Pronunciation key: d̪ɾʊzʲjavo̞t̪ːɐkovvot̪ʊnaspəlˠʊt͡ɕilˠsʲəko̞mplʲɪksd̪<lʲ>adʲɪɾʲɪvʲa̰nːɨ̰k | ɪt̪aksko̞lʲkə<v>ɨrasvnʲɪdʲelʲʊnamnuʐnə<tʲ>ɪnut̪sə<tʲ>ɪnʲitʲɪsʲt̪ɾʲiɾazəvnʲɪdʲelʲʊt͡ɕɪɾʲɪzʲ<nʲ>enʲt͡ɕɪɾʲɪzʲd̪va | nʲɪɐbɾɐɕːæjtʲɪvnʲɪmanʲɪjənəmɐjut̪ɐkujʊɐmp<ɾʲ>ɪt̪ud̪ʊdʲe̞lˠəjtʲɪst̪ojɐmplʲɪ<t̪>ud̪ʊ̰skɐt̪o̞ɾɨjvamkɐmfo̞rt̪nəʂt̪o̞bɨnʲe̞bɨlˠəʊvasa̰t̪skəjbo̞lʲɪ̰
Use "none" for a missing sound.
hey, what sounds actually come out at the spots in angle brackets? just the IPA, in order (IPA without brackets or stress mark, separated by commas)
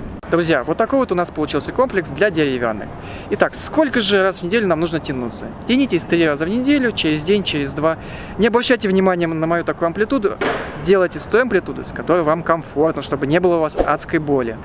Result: lʲ, ʐ, tʲ, tʲ, dʲ, lʲ, t̪